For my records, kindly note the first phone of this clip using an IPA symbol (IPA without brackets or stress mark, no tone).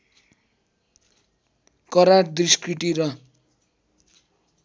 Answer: k